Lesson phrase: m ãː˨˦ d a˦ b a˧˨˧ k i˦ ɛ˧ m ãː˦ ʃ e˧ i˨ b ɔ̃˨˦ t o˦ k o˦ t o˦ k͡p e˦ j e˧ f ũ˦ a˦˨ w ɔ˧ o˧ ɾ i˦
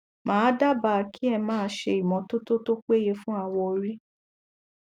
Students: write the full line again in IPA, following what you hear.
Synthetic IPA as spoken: m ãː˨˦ d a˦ b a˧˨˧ k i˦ ɛ˧ m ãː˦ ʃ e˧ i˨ m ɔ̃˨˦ t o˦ t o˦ t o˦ k͡p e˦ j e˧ f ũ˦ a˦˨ w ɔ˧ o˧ ɾ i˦